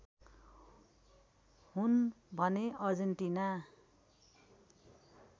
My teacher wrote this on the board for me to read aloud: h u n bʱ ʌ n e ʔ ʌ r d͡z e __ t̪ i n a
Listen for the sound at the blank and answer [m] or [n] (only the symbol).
n